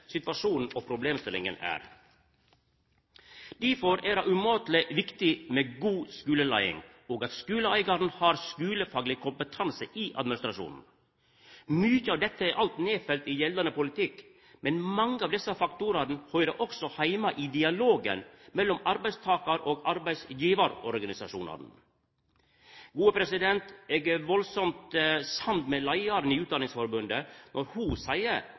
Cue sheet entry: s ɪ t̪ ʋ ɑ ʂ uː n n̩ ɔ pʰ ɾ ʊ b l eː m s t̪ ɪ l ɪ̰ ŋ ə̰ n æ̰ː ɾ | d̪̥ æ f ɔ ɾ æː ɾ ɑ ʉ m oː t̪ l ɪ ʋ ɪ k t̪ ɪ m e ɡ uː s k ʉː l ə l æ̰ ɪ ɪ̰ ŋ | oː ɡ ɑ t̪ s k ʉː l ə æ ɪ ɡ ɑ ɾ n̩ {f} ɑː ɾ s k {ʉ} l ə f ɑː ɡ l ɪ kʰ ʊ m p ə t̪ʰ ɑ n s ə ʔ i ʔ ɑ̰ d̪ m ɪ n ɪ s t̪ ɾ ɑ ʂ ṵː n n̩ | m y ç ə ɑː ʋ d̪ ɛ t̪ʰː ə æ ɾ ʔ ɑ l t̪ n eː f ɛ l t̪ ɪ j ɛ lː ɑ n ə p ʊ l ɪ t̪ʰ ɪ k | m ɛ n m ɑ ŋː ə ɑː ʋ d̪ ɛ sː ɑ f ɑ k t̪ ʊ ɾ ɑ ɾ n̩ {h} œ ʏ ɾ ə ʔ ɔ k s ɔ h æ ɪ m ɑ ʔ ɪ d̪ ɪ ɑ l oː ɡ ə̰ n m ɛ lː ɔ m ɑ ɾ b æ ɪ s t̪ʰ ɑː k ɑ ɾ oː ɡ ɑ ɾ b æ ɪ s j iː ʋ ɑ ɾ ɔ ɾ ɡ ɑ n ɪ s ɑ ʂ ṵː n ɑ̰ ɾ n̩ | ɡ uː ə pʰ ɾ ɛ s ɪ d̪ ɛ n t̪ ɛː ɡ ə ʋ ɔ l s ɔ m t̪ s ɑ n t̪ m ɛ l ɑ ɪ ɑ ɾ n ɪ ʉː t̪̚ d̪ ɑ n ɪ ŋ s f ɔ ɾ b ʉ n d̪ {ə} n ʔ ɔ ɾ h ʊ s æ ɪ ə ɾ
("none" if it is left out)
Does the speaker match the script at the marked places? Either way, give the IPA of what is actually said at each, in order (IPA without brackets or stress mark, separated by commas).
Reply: h, ʉː, h, ə